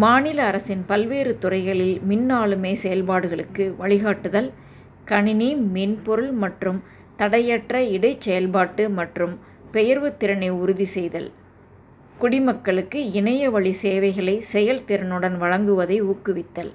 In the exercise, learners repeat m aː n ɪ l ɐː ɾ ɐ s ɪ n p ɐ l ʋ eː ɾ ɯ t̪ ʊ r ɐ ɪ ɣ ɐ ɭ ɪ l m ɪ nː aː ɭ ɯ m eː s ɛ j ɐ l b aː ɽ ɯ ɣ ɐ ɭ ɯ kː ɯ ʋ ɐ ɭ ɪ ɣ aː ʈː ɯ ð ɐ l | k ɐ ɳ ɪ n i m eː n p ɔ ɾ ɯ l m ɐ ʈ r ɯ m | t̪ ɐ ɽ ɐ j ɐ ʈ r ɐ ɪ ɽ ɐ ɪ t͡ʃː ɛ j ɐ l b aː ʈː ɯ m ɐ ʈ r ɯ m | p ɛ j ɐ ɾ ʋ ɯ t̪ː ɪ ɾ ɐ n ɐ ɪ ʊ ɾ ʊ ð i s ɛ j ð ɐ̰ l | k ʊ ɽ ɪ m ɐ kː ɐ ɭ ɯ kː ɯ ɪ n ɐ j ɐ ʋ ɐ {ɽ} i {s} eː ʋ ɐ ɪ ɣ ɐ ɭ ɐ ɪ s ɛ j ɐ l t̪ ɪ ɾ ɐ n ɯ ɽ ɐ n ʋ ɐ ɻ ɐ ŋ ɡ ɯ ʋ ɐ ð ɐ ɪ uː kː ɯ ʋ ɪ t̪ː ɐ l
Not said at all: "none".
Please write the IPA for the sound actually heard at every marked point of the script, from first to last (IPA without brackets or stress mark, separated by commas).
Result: ɭ, s